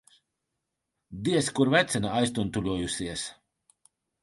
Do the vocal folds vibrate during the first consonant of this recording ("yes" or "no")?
yes